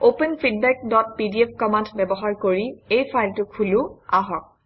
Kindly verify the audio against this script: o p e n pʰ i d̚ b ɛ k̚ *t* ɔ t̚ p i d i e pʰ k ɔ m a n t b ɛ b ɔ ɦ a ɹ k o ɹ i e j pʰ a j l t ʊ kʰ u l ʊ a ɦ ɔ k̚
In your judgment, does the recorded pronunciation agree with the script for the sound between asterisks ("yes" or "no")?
no